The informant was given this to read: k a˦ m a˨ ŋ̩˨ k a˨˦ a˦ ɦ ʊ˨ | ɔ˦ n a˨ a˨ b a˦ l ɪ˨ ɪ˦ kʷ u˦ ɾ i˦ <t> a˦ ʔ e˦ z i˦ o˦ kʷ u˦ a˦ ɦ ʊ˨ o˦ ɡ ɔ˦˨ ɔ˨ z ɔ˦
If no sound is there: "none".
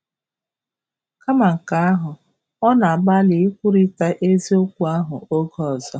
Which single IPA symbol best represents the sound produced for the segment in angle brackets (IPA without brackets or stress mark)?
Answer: t